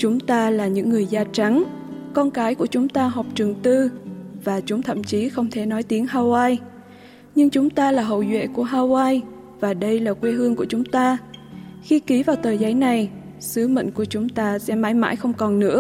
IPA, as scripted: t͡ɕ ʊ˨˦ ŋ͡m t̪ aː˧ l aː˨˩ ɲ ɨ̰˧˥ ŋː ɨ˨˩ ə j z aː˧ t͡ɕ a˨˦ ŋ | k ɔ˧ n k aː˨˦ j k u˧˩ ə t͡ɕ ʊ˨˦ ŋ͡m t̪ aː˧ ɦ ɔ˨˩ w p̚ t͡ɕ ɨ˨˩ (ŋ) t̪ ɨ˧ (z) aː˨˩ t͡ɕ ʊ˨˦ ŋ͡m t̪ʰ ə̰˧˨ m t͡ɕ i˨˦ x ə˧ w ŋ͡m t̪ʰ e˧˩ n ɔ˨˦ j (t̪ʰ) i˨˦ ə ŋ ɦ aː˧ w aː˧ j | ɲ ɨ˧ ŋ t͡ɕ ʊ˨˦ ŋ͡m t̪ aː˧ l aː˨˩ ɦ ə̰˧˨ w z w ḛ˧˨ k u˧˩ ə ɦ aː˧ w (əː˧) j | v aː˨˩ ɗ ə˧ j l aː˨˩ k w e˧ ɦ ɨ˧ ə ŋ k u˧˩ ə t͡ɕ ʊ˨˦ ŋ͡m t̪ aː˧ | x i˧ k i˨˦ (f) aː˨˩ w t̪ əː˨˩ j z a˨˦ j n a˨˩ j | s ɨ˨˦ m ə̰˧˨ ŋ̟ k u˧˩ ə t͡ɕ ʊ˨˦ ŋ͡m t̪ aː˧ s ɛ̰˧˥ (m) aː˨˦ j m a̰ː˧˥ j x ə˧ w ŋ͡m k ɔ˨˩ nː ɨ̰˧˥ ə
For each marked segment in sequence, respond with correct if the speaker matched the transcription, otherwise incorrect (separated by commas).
correct, incorrect, incorrect, incorrect, incorrect, correct